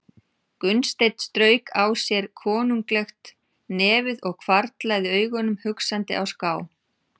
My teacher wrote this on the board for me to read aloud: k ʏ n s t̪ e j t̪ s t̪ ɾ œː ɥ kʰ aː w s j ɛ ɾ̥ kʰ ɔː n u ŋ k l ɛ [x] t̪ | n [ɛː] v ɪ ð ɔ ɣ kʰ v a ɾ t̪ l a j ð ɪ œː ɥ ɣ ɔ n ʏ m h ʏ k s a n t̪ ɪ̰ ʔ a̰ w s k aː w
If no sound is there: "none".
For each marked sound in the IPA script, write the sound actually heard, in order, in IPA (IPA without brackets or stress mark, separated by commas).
x, ɛː